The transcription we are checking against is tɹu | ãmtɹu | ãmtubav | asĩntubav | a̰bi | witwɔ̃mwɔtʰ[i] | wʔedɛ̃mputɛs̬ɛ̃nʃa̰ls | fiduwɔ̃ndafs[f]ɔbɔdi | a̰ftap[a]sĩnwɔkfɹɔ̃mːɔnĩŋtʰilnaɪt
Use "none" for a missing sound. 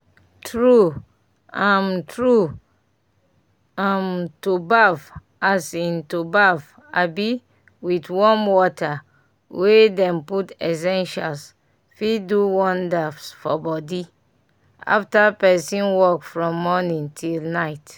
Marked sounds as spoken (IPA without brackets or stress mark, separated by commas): a, f, ɛ